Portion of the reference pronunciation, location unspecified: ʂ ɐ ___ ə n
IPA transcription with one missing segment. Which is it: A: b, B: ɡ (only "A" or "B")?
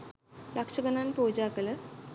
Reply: B